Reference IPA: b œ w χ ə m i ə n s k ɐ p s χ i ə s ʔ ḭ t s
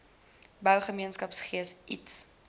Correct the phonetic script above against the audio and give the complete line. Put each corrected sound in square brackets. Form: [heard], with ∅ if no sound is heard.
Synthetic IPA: b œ w χ ə m i ə n s k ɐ p s χ i ə s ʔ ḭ t s